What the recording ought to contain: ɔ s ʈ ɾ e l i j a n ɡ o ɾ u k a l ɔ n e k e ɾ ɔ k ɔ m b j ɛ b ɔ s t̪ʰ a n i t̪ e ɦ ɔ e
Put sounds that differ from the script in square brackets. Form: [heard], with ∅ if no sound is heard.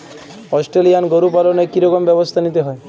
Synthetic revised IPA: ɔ s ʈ ɾ e l i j a n ɡ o ɾ u [p] a l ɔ n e k [i] ɾ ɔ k ɔ m b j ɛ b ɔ s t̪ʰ a n i t̪ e ɦ ɔ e